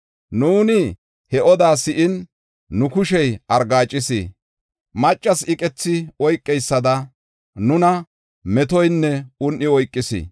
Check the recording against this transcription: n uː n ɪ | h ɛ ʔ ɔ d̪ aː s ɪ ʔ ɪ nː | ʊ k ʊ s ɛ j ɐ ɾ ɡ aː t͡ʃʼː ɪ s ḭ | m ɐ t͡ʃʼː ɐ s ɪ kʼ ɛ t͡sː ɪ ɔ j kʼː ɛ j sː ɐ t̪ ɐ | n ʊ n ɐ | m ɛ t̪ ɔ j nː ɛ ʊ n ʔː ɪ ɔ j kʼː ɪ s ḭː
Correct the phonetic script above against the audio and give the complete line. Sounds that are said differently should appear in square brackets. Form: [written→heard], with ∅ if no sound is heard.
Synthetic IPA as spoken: n uː n ɪ | h ɛ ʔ ɔ d̪ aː s ɪ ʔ ɪ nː | ʊ k ʊ [s→ʃ] ɛ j ɐ ɾ ɡ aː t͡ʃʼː ɪ s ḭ | m ɐ t͡ʃʼː ɐ s ɪ kʼ ɛ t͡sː ɪ ɔ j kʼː ɛ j sː ɐ [t̪→d̪] ɐ | n ʊ n ɐ | m ɛ t̪ ɔ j nː ɛ ʊ n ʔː ɪ ɔ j kʼː ɪ s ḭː